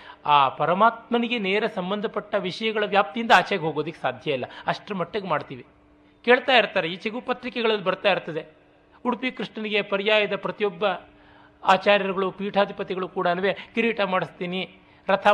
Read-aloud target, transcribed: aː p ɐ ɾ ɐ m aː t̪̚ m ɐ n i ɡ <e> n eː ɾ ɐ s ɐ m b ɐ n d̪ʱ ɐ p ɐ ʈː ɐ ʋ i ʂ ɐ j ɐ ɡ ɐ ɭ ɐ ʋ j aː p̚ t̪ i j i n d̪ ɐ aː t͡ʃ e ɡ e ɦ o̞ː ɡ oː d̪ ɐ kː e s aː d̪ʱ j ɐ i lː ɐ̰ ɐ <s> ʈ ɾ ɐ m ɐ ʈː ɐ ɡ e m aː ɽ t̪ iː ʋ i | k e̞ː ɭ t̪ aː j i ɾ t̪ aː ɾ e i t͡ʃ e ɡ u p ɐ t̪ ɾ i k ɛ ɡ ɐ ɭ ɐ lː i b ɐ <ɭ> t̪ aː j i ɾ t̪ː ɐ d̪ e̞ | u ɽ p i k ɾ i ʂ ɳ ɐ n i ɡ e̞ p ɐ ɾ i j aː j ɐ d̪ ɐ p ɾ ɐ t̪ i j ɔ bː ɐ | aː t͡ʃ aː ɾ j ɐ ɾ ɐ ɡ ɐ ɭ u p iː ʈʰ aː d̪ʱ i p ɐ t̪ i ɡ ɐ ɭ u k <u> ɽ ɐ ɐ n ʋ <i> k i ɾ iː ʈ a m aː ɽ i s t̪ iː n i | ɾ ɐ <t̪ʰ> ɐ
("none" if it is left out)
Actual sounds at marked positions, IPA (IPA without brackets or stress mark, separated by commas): e, ʂ, ɾ, uː, e, t̪ʰ